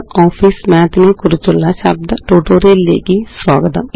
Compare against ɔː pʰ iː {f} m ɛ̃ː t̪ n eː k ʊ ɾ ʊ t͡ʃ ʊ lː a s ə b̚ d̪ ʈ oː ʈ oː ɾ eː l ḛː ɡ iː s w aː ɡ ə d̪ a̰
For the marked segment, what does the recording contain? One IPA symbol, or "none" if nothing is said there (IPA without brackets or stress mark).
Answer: s